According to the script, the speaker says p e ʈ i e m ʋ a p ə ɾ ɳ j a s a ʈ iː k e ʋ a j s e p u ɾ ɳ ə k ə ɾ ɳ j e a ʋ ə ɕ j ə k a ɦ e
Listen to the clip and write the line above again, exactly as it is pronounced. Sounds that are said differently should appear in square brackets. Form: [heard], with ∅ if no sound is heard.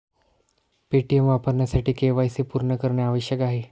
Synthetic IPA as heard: p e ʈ i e m ʋ a p ə ɾ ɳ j a s a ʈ iː k e ʋ a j s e p u ɾ ɳ ə k ə ɾ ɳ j [a] a ʋ ə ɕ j ə k a ɦ e